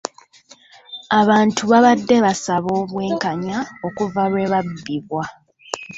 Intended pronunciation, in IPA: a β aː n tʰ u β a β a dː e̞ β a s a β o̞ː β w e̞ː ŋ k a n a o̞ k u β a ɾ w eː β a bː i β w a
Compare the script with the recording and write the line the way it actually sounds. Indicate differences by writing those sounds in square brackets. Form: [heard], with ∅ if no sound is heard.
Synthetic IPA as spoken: a β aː n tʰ u β a β a dː e̞ β a s a β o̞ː β w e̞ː ŋ k a [ɲ] a o̞ k u [v] a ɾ w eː β a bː i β w a